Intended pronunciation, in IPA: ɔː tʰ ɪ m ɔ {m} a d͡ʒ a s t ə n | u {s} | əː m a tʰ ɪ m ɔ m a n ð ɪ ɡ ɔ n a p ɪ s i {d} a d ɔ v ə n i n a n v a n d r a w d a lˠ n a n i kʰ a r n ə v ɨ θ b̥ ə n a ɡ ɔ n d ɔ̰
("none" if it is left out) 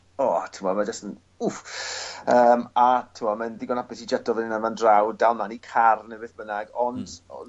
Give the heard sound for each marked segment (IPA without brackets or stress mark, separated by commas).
m, f, d͡ʒ